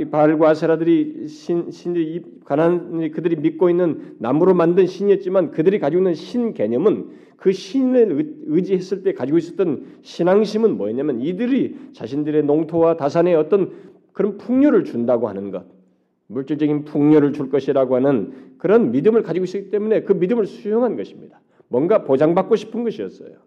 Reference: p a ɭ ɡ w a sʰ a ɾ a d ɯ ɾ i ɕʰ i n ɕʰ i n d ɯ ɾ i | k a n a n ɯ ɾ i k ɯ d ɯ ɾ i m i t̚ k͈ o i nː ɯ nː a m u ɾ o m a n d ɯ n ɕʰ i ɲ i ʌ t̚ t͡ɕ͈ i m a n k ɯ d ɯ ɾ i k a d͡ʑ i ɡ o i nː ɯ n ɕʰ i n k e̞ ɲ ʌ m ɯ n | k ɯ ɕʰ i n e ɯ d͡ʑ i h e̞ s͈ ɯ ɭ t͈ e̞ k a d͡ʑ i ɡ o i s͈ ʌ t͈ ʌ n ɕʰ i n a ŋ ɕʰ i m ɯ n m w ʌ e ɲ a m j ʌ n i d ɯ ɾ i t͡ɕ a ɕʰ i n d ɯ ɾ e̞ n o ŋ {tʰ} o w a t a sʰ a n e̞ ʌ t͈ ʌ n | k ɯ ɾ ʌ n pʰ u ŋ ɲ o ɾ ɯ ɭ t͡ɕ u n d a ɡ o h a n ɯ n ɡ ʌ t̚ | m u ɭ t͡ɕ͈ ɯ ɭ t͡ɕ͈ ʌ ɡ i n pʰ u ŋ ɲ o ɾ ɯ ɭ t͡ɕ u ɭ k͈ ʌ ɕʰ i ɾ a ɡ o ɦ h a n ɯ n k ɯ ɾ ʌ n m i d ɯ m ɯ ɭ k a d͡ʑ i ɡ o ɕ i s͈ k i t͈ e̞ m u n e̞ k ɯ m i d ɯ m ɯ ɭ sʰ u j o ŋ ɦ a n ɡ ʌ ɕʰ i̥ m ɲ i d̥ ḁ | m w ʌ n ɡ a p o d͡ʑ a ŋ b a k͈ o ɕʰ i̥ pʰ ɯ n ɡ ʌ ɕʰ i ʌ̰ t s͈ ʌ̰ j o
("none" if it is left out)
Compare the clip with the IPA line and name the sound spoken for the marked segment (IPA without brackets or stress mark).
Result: tʰ